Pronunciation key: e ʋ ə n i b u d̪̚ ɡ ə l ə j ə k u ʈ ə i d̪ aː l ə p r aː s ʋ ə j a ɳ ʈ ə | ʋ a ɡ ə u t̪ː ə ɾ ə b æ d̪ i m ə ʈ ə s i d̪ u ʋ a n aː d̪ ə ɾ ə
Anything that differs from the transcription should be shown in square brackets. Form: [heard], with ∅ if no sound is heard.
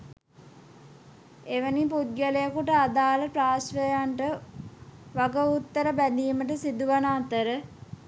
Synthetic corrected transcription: e ʋ ə n i [p] u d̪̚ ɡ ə l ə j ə k u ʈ ə [a] d̪ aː l ə p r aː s ʋ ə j a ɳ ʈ ə | ʋ a ɡ ə u t̪ː ə ɾ ə b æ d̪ [iː] m ə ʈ ə s i d̪ u ʋ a n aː [t̪] ə ɾ ə